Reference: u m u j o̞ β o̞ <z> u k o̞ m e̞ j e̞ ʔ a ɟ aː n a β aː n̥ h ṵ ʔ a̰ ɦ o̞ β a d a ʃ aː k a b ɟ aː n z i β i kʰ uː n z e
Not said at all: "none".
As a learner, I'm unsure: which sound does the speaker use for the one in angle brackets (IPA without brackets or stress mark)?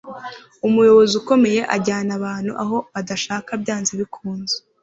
z